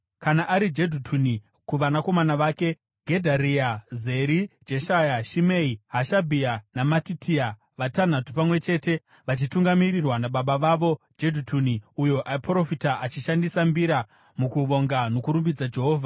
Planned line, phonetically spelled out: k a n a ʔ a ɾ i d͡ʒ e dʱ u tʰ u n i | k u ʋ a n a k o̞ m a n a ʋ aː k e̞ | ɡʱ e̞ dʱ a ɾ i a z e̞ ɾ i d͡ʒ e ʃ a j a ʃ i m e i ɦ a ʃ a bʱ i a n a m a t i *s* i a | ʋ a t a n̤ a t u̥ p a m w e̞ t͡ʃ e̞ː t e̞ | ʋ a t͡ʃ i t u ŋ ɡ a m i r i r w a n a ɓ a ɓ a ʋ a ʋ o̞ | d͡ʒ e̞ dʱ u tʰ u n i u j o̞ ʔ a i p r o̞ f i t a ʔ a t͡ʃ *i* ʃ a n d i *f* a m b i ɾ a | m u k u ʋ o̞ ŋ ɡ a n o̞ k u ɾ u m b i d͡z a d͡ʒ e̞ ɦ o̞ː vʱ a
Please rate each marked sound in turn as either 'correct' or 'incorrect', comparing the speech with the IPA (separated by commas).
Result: incorrect, correct, incorrect